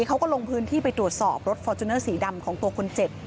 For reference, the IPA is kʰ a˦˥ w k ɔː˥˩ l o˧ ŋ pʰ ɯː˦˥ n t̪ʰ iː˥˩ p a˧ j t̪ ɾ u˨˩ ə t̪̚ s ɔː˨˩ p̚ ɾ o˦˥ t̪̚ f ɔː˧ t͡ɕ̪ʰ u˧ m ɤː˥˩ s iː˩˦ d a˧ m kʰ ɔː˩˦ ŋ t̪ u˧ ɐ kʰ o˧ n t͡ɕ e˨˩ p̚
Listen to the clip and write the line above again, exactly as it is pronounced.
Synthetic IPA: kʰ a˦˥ w k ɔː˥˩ l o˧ ŋ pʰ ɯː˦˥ n t̪ʰ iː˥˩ p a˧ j t̪ ɾ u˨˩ ə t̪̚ s ɔː˨˩ p̚ ɾ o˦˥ t̪̚ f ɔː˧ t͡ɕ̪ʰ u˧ n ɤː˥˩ s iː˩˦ d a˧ m kʰ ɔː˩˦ ŋ t̪ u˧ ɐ kʰ o˧ n t͡ɕ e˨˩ p̚